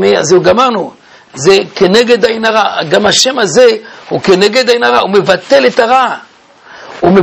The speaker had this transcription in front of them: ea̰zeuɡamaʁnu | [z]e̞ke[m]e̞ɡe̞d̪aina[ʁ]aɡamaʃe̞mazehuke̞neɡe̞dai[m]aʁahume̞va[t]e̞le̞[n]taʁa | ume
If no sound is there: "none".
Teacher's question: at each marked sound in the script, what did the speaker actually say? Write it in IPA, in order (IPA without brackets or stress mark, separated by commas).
z, n, ʁ, n, t, none